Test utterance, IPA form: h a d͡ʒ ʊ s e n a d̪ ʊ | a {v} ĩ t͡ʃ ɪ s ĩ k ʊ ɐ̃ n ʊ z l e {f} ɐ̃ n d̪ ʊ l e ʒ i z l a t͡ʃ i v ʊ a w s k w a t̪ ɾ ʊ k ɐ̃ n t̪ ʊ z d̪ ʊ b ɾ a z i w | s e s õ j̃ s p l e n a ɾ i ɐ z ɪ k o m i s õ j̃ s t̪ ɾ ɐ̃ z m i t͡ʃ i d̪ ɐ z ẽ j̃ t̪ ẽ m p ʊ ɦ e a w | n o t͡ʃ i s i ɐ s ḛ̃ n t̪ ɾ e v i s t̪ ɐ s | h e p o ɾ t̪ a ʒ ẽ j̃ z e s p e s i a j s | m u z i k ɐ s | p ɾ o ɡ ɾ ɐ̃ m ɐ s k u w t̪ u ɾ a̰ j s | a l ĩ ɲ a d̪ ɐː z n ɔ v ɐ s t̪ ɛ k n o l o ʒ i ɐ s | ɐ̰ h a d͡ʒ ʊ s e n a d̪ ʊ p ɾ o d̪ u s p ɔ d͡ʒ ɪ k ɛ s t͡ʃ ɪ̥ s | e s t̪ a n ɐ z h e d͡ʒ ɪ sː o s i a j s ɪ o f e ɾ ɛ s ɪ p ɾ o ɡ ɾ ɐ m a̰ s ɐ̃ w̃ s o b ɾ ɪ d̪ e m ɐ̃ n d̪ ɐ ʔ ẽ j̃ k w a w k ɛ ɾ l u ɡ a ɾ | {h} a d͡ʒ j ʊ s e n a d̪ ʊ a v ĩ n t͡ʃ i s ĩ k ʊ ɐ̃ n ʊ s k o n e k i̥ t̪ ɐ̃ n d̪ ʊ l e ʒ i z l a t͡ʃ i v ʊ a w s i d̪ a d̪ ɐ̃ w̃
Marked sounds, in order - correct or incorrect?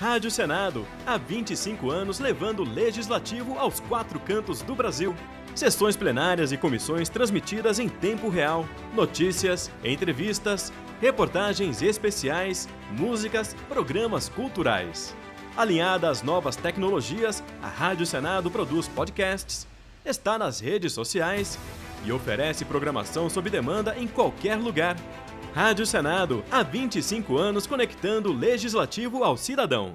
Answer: correct, incorrect: v, correct

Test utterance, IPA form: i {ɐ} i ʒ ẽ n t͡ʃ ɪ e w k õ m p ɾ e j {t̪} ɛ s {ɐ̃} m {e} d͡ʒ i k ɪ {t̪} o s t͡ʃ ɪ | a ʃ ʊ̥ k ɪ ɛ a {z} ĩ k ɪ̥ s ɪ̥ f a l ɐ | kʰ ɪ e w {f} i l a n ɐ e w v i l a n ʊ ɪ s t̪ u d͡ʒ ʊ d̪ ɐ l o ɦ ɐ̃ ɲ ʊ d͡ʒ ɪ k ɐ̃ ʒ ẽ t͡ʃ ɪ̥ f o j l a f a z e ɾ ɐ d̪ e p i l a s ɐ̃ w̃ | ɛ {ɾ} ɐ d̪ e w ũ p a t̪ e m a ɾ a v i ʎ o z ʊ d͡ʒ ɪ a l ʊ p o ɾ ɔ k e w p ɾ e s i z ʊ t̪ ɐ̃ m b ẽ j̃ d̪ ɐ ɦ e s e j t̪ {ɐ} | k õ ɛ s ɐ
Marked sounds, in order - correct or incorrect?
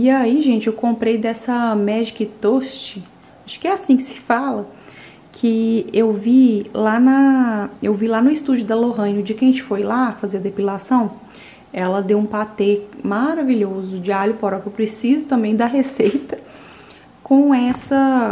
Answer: incorrect: a, incorrect: d̪, incorrect: ɐ, incorrect: ɛ, correct, incorrect: s, incorrect: v, incorrect: l, correct

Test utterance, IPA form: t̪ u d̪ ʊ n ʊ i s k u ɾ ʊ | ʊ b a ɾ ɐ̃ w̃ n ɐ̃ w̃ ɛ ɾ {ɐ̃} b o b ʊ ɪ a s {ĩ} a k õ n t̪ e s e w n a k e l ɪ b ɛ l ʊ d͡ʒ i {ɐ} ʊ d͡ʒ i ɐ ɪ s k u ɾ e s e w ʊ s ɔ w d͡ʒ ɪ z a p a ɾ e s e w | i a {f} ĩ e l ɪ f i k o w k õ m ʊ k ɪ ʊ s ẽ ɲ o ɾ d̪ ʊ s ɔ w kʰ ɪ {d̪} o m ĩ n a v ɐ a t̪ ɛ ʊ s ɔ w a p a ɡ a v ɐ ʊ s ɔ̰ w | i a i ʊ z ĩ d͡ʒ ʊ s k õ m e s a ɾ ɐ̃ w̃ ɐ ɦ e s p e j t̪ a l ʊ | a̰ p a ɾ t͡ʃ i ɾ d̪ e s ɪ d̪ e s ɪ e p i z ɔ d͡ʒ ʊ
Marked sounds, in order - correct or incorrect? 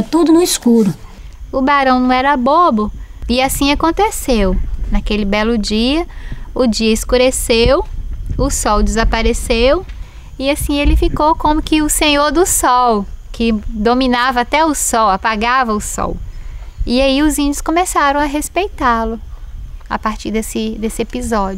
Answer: incorrect: ɐ, correct, correct, incorrect: s, correct

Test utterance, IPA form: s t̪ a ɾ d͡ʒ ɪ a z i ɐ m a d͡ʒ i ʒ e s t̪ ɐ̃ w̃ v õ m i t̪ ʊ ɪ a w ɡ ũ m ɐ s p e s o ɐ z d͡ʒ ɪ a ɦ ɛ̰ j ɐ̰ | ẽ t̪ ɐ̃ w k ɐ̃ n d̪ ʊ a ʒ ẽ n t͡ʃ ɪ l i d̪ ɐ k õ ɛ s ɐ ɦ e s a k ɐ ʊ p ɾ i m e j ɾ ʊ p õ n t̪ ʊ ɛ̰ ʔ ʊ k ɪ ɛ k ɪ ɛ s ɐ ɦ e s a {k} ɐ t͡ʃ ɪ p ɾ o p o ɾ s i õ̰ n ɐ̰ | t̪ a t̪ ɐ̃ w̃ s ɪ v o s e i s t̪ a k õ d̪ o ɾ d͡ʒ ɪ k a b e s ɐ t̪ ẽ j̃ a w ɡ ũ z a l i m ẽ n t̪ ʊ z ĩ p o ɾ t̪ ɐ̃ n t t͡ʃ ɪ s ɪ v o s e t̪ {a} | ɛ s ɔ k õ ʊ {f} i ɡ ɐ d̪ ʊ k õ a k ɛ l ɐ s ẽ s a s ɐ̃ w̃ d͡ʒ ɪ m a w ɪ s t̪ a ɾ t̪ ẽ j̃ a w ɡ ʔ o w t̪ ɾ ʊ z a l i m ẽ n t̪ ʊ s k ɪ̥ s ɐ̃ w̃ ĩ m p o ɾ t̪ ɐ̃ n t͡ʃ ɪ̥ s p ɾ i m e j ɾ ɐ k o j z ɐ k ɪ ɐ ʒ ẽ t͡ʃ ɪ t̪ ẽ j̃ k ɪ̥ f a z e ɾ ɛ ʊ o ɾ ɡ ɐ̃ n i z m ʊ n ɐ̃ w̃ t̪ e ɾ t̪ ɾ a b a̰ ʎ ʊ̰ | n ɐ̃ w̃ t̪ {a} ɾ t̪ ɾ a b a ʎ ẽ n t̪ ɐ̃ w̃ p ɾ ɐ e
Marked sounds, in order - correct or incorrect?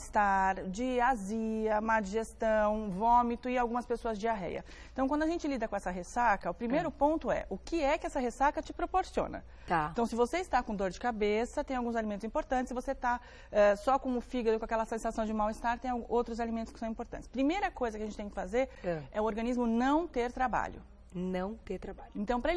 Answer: correct, correct, correct, incorrect: e

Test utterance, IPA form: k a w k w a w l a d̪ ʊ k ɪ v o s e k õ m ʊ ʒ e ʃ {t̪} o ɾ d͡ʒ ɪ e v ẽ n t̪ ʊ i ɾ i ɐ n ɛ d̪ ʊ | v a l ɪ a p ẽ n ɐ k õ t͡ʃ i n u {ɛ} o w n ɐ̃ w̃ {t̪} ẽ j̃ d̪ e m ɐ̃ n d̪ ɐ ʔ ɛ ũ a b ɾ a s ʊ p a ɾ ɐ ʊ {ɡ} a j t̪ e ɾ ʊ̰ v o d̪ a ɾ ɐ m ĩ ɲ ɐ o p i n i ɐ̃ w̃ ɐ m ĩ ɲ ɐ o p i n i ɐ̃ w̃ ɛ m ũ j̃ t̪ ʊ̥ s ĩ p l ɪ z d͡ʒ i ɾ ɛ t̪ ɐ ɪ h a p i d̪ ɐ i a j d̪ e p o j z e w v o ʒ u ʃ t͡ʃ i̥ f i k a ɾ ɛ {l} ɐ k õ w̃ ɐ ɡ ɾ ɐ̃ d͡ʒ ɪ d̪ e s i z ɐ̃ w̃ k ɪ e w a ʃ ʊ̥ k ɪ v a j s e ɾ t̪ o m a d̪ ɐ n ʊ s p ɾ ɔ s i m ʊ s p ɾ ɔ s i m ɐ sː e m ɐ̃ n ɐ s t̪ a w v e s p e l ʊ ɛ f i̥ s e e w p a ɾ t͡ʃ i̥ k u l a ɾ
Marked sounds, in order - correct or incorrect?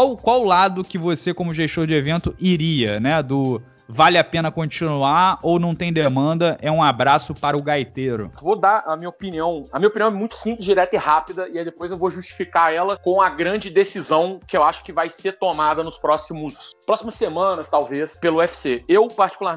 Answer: correct, incorrect: a, correct, correct, correct

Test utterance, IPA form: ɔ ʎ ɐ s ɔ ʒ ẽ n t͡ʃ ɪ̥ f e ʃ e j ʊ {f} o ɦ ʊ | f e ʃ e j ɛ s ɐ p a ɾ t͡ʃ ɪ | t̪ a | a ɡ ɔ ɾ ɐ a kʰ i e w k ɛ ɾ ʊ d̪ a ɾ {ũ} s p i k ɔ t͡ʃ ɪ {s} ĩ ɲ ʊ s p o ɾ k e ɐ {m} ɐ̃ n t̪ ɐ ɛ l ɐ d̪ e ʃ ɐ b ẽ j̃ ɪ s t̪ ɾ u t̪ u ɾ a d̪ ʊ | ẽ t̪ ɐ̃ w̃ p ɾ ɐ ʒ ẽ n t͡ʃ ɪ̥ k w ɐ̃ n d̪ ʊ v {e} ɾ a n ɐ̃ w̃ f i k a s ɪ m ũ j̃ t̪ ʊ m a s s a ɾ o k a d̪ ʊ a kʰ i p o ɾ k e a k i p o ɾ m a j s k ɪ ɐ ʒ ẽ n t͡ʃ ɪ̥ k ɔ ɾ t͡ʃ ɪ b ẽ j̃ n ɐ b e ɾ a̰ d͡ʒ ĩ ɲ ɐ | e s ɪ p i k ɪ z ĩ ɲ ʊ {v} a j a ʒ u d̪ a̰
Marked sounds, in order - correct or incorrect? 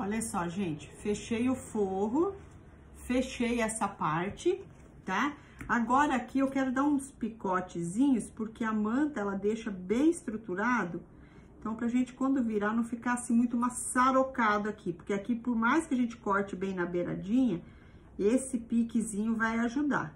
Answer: correct, correct, incorrect: z, correct, incorrect: i, correct

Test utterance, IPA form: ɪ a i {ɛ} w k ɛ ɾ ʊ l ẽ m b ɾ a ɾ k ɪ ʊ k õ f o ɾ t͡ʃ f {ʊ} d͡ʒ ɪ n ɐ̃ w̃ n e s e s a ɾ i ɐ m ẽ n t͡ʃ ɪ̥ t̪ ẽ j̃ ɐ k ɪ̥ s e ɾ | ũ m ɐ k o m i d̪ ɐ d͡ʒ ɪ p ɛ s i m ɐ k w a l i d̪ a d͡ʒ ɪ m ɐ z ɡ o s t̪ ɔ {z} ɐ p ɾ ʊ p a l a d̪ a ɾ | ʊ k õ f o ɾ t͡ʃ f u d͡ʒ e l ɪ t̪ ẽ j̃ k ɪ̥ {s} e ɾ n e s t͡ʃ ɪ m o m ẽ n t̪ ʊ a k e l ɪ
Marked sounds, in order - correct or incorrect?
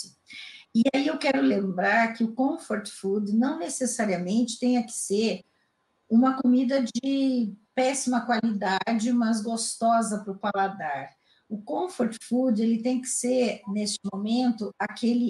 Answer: incorrect: e, incorrect: u, correct, correct

